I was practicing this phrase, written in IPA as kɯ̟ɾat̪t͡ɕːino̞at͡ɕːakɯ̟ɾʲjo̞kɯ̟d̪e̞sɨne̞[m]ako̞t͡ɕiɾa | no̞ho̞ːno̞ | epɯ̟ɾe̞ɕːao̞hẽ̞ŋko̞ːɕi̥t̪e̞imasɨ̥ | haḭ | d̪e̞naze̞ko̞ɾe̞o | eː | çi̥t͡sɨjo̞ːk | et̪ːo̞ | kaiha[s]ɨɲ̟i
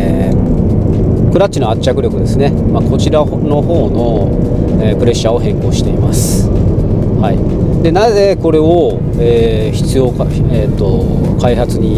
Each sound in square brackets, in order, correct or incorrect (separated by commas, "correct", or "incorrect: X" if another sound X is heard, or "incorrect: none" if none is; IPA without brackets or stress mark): correct, incorrect: t͡s